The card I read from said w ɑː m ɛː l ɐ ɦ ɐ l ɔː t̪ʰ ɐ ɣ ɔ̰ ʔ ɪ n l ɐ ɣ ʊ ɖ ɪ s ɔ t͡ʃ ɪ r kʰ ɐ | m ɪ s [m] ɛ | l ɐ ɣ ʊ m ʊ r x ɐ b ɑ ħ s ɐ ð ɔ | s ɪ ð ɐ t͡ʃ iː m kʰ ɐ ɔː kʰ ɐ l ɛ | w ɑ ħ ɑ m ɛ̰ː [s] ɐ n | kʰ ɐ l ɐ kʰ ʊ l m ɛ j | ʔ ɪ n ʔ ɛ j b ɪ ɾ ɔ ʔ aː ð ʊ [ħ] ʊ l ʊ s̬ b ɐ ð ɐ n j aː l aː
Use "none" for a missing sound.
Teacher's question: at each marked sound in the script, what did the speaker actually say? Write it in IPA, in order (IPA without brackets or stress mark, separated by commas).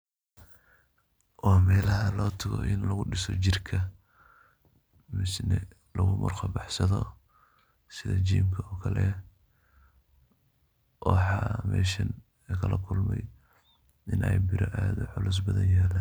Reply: n, ʃ, ħ